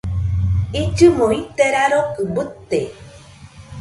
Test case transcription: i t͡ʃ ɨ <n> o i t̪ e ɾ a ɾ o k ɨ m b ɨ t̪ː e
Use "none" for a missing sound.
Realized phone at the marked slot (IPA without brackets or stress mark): m